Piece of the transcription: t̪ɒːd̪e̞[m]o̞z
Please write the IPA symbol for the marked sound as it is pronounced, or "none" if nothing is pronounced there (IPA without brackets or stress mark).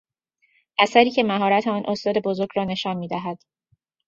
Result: b